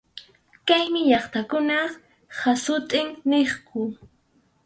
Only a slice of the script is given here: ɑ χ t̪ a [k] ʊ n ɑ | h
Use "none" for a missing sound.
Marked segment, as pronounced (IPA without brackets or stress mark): k